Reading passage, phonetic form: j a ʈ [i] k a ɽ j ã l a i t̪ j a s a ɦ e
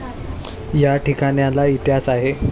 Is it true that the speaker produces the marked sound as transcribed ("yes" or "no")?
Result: yes